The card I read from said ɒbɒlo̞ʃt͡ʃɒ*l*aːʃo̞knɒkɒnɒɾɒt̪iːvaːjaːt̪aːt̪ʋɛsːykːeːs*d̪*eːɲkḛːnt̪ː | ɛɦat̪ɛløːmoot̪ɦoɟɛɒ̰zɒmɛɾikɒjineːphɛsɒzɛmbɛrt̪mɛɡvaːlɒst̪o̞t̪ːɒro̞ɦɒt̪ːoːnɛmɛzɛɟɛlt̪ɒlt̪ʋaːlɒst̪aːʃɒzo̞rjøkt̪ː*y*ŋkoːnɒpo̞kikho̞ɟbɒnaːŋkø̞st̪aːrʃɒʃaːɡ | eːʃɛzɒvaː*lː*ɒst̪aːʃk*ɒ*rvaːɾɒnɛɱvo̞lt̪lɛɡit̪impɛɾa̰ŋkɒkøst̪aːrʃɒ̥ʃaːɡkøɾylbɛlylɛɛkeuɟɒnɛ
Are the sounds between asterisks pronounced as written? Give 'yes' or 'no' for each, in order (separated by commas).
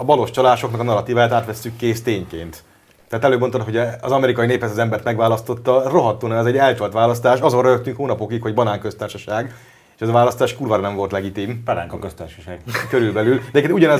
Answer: yes, no, yes, no, no